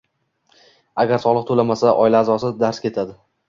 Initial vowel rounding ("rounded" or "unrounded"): unrounded